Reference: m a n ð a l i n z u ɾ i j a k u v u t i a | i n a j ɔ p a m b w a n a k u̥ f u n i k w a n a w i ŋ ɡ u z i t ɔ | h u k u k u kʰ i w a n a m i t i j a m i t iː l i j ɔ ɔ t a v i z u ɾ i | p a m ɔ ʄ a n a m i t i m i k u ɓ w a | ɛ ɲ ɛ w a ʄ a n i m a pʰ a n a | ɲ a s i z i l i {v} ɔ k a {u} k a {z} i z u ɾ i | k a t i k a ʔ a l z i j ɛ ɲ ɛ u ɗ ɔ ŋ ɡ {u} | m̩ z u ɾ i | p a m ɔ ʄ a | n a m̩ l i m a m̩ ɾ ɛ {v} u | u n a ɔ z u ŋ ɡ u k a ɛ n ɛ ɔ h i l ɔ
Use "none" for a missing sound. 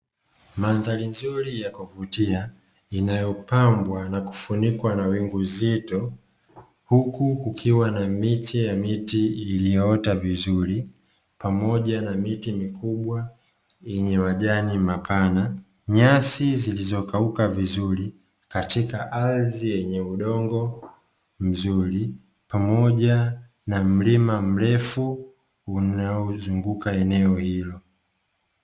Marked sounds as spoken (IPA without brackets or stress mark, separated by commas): z, u, v, ɔ, f